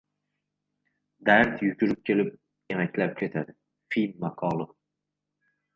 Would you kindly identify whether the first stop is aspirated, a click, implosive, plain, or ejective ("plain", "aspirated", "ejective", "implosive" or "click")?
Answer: plain